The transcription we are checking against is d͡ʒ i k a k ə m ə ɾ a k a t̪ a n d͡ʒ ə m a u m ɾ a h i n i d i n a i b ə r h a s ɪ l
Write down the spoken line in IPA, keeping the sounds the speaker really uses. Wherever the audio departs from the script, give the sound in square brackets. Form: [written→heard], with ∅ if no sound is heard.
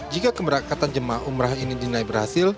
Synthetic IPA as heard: d͡ʒ i k a k ə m ə ɾ a k a t̪ a n d͡ʒ ə m a u m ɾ a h i n i d i n a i b ə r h a s ɪ l